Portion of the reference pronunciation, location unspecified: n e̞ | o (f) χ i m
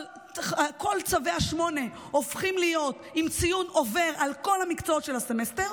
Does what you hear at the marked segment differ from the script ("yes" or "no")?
no